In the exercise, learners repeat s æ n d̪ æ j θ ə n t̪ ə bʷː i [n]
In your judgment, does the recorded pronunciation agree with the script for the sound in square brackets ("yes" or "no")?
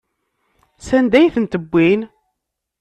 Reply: yes